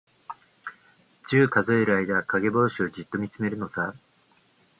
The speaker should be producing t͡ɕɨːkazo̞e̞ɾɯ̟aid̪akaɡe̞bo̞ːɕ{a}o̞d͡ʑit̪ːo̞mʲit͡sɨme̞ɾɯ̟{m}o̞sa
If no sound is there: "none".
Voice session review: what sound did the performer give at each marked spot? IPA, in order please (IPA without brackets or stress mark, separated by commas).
i, n